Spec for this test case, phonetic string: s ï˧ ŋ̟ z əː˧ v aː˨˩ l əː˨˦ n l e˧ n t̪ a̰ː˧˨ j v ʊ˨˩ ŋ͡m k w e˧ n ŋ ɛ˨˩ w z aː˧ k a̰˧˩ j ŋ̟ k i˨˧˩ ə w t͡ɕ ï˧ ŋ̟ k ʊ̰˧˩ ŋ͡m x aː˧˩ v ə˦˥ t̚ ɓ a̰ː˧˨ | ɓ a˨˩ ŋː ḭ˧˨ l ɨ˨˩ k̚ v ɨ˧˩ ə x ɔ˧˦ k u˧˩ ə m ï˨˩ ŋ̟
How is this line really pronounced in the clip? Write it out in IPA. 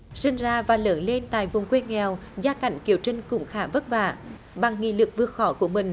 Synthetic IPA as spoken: s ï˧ ŋ̟ z aː˧ v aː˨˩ l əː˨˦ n l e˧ n t̪ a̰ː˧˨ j v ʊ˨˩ ŋ͡m k w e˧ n ŋ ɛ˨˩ w z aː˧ k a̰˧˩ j ŋ̟ k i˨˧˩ ə w t͡ɕ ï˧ ŋ̟ k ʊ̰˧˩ ŋ͡m x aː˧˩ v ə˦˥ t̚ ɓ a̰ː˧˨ | ɓ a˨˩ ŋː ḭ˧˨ l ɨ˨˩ k̚ v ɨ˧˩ ə x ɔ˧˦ k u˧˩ ə m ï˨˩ ŋ̟